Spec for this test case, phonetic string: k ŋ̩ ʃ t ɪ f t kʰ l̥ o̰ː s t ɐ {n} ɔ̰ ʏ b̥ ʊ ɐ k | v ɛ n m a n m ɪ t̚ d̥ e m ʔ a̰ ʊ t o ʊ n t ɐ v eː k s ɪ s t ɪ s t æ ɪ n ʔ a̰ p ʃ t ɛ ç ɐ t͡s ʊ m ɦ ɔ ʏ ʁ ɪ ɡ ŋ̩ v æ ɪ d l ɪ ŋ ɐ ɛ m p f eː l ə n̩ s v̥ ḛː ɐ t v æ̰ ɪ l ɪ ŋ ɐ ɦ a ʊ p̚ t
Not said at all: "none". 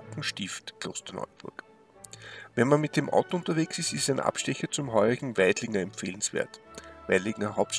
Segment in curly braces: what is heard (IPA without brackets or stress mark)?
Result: n